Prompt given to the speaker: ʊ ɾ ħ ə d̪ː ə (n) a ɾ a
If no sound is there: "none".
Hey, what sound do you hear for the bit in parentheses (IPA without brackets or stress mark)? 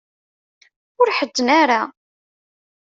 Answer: n